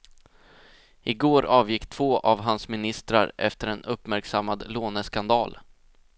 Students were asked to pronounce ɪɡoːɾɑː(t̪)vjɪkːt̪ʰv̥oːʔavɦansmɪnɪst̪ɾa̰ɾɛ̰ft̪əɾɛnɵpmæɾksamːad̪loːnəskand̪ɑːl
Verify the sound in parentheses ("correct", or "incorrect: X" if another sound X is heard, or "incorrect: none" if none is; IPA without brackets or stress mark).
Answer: incorrect: none